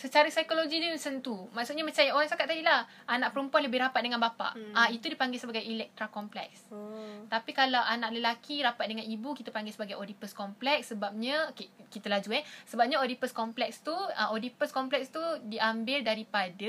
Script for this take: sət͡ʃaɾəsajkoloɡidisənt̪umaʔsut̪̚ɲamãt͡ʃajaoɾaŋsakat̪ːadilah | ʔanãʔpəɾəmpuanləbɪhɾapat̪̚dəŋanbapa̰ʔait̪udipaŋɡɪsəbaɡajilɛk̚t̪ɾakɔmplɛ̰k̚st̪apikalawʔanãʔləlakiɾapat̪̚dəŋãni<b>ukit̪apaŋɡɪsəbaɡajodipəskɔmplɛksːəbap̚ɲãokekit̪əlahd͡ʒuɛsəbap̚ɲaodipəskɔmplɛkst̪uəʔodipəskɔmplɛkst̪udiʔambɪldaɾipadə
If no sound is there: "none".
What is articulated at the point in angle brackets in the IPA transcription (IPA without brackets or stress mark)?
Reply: b